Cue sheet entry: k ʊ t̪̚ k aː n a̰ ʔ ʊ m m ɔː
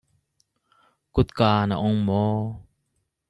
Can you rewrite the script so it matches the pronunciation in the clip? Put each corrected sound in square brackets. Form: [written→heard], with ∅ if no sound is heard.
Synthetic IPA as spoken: k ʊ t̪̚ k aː n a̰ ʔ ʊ [m→ŋ] m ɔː